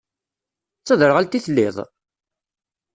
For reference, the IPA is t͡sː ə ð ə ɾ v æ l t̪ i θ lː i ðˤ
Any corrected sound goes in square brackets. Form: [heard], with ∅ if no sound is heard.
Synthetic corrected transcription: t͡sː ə ð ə ɾ [ʁ] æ l t̪ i θ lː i ðˤ